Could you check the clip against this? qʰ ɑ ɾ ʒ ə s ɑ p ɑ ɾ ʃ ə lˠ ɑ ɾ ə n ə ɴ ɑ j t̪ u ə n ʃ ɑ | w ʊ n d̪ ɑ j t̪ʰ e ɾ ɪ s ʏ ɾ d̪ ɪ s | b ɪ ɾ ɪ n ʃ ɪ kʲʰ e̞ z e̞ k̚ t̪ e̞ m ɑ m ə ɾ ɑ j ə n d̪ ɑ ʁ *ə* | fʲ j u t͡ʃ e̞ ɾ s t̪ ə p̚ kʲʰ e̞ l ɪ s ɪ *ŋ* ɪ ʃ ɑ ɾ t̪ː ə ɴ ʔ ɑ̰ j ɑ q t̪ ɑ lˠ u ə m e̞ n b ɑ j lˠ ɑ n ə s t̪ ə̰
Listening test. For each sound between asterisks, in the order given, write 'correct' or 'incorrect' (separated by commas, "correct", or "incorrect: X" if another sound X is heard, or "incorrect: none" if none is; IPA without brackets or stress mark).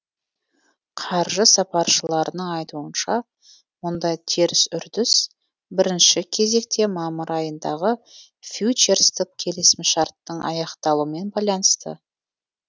correct, incorrect: m